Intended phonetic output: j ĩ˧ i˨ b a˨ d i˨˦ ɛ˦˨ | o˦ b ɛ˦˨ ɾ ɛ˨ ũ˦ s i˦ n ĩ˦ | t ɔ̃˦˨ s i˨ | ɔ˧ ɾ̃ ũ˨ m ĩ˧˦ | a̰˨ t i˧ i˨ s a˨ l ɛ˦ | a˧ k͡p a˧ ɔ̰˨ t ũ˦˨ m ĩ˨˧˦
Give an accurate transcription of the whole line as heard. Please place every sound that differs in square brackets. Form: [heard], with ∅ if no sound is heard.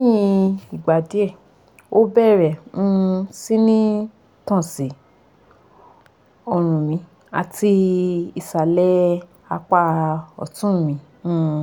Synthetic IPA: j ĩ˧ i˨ [ɡ͡b] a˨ d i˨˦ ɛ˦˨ | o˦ b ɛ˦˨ ɾ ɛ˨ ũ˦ s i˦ n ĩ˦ | t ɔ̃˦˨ s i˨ | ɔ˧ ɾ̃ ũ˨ m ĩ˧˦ | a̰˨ t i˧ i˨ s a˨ l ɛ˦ | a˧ k͡p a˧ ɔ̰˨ t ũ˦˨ m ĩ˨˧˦